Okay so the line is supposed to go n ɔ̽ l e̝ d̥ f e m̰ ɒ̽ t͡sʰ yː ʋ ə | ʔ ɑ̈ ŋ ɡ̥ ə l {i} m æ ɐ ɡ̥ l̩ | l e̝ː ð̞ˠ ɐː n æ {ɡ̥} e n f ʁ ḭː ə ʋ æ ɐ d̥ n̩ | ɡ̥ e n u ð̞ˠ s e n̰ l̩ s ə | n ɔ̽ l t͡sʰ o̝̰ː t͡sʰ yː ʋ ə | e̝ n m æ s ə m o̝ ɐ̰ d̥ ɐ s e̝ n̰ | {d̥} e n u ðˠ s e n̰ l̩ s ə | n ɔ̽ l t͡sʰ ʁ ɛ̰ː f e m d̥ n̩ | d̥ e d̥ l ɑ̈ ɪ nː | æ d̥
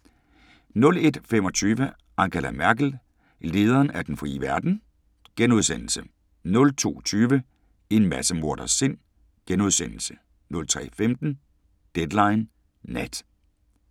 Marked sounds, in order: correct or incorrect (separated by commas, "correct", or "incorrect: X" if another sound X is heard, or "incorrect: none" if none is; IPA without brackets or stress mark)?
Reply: incorrect: æ, incorrect: d̥, incorrect: ɡ̥